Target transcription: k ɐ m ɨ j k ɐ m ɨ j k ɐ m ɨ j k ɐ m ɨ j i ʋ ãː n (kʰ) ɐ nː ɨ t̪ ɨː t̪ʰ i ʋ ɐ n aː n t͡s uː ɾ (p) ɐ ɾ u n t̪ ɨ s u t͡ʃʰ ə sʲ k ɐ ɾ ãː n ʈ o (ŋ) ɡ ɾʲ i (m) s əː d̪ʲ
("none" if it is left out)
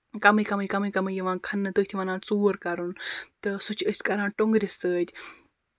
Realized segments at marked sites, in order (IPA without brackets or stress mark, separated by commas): kʰ, k, ŋ, none